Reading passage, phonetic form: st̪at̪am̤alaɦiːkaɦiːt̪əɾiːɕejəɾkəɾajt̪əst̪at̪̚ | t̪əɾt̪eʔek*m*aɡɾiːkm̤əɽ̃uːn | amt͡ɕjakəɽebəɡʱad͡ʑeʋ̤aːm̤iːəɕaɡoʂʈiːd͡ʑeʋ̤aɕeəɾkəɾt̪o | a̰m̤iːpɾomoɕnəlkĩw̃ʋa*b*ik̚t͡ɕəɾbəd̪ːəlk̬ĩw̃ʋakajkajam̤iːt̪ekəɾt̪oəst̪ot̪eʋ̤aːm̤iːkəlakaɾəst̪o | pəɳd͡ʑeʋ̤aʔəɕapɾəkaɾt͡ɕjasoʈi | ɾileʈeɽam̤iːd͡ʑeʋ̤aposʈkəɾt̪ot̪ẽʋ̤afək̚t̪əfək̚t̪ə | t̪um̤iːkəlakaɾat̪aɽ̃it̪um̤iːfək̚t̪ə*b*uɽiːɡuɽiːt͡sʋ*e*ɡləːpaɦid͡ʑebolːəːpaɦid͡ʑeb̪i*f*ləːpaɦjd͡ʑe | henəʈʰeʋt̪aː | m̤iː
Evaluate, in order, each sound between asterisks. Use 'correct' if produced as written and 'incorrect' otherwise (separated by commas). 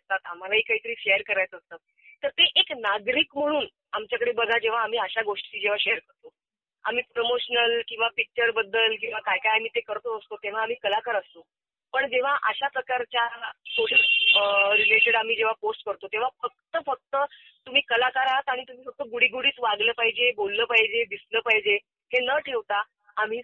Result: incorrect, incorrect, incorrect, incorrect, incorrect